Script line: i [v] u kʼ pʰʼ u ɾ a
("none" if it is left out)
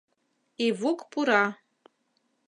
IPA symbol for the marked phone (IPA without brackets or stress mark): v